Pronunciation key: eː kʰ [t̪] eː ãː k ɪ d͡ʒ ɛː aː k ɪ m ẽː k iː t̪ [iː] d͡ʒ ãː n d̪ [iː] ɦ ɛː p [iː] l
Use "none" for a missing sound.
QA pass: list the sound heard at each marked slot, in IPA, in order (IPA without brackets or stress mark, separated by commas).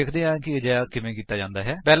d̪, aː, aː, ɛː